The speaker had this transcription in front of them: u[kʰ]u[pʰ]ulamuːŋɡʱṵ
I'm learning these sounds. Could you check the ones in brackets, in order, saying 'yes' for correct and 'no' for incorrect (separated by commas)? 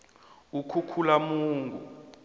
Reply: yes, no